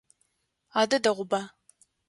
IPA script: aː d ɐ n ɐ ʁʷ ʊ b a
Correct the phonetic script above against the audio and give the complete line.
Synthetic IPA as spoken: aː d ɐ d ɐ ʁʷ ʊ b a